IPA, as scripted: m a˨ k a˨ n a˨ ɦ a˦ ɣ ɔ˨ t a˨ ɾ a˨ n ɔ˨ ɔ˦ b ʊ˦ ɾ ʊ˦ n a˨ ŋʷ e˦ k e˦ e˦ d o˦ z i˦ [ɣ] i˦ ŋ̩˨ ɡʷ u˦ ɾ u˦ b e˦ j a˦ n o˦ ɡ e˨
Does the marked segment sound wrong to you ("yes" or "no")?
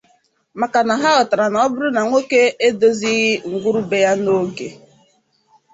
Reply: no